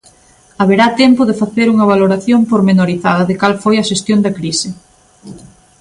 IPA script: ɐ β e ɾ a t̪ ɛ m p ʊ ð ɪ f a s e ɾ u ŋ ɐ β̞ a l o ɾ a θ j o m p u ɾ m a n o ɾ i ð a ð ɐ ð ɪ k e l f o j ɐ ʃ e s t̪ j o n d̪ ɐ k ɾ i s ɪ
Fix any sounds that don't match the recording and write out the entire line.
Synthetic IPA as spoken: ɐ β e ɾ a t̪ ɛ m p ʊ ð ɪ f a θ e ɾ u ŋ ɐ β̞ a l o ɾ a θ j o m p o ɾ m e n o ɾ i θ a ð ɐ ð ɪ k a l f o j ɐ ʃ e s t̪ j o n d̪ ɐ k ɾ i s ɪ